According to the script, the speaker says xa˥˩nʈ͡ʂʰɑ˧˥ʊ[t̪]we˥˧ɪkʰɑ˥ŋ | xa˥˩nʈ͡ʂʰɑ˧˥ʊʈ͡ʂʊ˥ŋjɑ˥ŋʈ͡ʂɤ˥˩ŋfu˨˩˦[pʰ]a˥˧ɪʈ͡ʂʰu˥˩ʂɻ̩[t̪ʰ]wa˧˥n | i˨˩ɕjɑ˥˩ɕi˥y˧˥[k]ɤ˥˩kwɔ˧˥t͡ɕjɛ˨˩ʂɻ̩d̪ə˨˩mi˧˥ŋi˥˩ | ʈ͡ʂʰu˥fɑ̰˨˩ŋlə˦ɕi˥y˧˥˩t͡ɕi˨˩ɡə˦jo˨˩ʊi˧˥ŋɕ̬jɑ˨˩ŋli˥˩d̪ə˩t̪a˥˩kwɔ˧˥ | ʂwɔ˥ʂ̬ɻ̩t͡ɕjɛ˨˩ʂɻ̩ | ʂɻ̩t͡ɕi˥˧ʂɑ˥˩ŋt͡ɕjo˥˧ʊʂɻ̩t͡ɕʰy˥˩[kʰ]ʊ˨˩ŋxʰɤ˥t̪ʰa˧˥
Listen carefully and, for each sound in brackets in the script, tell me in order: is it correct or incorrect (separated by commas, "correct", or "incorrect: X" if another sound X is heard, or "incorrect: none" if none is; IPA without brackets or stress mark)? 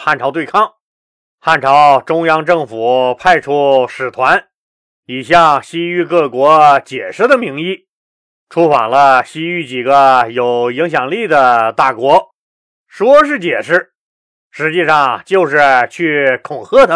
correct, correct, correct, correct, correct